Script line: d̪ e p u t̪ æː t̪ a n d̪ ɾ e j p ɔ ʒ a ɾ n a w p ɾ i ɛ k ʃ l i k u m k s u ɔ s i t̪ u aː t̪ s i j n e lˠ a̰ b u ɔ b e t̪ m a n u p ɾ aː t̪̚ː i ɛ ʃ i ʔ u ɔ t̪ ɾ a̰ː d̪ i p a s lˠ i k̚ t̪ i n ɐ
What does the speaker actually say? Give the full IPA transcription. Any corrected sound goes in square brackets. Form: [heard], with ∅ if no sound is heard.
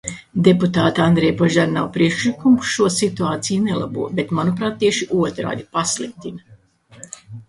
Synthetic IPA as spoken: d̪ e p u t̪ [aː] t̪ a n d̪ ɾ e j p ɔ ʒ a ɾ n a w p ɾ i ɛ k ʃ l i k u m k [ʃ] u ɔ s i t̪ u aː t̪ s i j n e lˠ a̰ b u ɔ b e t̪ m a n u p ɾ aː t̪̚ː i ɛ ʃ i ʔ u ɔ t̪ ɾ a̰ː d̪ i p a s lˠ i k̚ t̪ i n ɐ